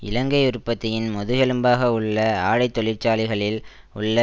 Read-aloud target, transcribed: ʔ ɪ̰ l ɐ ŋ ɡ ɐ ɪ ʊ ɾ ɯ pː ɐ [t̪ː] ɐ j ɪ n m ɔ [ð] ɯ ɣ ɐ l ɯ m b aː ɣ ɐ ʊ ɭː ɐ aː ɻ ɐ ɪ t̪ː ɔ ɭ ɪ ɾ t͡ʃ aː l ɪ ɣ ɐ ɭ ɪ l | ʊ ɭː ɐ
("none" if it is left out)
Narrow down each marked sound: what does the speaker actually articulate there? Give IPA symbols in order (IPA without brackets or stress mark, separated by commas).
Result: t̪ː, ð